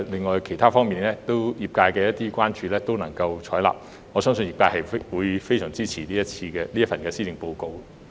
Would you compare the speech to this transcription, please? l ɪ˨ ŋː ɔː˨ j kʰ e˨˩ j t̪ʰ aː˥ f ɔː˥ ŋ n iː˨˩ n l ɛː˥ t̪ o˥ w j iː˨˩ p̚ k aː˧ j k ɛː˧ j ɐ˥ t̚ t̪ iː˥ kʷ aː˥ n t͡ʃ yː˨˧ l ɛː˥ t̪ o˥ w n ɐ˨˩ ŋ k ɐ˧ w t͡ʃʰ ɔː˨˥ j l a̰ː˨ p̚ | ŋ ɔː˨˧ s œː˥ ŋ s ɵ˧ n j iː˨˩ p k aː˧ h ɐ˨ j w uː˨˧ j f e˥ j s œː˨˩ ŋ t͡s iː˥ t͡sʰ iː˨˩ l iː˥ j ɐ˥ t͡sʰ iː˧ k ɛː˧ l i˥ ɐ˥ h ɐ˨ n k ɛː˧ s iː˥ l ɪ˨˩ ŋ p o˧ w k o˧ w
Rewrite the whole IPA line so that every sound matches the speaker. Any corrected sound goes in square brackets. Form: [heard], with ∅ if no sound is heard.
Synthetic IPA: l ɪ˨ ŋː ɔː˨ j kʰ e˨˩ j t̪ʰ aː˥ f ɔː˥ ŋ [m] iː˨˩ n l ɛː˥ t̪ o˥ w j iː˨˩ p̚ k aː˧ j k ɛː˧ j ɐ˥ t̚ t̪ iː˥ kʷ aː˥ n t͡ʃ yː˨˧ l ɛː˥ t̪ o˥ w n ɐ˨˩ ŋ k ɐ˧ w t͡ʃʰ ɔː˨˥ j l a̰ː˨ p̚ | ŋ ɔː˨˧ s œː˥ ŋ s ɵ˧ n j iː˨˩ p k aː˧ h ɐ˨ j w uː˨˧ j f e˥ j s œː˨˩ ŋ t͡s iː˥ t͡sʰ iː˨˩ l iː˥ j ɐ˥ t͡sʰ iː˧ k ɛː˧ l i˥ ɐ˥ [f] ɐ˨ n k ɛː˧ s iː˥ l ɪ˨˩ ŋ p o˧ w k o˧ w

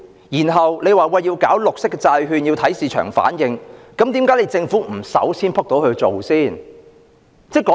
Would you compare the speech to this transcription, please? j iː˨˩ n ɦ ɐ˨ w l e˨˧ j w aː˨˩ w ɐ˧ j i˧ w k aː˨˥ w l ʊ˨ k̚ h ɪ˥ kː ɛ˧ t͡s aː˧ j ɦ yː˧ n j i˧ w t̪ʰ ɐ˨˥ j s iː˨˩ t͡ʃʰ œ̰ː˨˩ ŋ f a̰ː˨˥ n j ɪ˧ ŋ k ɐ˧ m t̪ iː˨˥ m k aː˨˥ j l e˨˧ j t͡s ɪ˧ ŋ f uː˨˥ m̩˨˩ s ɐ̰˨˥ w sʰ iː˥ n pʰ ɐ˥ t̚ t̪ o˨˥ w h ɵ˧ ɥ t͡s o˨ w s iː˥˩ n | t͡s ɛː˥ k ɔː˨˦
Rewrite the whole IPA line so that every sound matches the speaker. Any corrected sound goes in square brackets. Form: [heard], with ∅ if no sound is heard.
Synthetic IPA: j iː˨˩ n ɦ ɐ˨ w l e˨˧ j w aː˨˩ w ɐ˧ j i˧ w k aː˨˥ w l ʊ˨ k̚ [s] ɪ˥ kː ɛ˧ t͡s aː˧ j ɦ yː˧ n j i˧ w t̪ʰ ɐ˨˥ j s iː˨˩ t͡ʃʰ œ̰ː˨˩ ŋ f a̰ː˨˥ n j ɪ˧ ŋ k [ɐ˨˥] m t̪ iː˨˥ m k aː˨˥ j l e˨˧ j t͡s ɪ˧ ŋ f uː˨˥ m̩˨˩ s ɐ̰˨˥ w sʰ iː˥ n pʰ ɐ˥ [k̚] t̪ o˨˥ w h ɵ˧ ɥ t͡s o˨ w s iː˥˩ n | t͡s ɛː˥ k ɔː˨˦

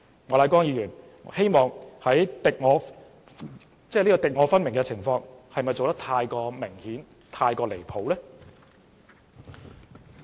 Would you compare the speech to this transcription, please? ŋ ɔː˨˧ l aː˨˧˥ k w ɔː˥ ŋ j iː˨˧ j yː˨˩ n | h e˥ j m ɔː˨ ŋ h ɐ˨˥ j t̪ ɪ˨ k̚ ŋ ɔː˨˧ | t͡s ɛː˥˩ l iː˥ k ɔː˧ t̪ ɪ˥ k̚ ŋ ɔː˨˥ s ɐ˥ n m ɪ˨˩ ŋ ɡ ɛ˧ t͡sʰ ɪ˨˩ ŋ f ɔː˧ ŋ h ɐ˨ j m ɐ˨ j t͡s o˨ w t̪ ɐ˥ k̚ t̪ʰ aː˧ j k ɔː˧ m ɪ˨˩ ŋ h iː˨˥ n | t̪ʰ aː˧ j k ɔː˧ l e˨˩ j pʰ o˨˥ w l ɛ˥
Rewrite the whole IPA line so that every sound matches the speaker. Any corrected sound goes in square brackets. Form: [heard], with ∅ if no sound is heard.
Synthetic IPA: ŋ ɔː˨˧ l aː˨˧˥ k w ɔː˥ ŋ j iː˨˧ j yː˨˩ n | h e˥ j m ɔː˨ ŋ h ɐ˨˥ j t̪ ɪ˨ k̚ ŋ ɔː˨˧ | t͡s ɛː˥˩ l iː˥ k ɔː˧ t̪ [ɪ˨] k̚ ŋ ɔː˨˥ [f] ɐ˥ n m ɪ˨˩ ŋ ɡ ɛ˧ t͡sʰ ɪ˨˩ ŋ f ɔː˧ ŋ h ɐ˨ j m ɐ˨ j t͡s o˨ w t̪ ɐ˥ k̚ t̪ʰ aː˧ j k ɔː˧ m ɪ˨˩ ŋ h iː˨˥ n | t̪ʰ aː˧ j k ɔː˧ l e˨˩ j pʰ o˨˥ w l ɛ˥

